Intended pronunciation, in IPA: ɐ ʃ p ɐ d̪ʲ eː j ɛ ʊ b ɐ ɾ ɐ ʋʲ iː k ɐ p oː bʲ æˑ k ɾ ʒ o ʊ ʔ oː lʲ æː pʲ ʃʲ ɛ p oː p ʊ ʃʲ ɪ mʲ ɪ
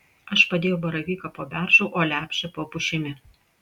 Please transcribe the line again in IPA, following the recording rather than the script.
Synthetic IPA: ɐ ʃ p ɐ d̪ʲ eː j ɛ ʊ b ɐ ɾ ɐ ʋʲ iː k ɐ p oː bʲ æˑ ɾ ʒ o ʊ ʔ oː lʲ æː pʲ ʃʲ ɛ p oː p ʊ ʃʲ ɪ mʲ ɪ